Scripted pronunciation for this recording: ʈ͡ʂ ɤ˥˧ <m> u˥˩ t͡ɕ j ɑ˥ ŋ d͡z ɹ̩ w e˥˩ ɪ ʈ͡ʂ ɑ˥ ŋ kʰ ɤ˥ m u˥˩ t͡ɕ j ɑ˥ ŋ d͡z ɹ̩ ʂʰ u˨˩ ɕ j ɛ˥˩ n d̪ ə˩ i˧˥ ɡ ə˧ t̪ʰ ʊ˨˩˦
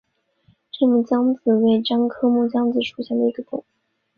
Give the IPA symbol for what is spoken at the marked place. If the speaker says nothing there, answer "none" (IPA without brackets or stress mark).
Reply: m